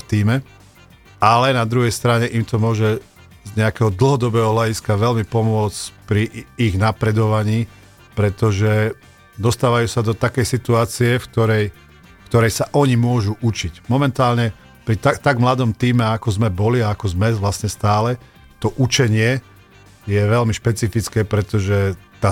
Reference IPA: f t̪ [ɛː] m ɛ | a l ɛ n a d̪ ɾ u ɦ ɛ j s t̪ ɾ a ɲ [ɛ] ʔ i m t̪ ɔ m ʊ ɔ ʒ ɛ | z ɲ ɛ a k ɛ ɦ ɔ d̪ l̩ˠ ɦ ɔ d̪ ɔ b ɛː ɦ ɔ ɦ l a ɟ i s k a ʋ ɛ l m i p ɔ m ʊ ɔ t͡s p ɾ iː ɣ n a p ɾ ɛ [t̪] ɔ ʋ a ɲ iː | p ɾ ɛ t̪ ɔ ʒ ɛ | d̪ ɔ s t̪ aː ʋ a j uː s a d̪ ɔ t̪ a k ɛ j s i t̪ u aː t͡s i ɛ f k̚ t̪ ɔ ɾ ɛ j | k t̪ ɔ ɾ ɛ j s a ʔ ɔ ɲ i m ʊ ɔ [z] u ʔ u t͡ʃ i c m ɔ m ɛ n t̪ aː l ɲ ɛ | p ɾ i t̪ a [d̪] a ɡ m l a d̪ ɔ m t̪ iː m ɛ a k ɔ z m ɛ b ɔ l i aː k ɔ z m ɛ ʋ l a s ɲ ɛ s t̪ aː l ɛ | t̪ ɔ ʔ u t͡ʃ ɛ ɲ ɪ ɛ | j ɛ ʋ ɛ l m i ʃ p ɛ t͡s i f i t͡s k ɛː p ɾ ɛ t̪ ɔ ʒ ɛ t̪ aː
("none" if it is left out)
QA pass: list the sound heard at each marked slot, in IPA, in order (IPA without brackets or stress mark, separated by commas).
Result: iː, ɛ, d̪, ʒ, t̪